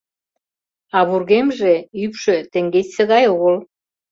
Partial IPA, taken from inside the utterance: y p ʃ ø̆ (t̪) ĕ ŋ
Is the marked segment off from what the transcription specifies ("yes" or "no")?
no